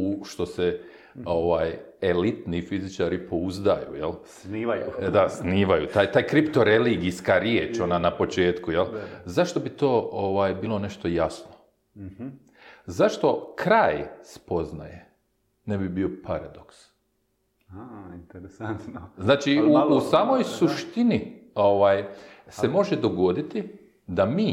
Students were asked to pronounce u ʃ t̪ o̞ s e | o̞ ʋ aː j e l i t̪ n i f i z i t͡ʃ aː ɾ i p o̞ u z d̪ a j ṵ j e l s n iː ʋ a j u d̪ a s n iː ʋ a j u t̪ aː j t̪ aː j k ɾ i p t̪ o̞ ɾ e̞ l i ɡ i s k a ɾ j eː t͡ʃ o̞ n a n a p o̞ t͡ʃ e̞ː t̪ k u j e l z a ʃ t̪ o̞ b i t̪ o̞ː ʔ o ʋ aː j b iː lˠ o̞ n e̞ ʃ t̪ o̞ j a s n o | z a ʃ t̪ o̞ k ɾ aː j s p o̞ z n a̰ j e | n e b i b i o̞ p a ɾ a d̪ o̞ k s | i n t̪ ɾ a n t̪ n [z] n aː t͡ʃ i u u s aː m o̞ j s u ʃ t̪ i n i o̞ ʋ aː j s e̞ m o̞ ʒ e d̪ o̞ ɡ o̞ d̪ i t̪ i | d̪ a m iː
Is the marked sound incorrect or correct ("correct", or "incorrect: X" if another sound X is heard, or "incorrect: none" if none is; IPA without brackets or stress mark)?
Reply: correct